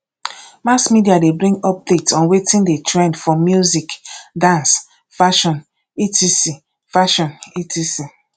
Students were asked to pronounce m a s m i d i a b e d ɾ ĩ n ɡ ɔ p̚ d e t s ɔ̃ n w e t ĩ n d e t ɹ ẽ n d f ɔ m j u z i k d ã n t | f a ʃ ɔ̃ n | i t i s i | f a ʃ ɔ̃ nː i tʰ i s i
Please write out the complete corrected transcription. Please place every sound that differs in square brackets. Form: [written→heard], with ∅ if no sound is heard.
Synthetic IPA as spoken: m a s m i d i a [b→d] e [d→b] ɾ ĩ [n→ŋ] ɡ ɔ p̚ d e t s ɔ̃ n w e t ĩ n d e t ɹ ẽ n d f ɔ m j u z i k d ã n [t→s] | f a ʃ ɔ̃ n | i t i s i | f a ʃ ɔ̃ [nː→n] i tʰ i s i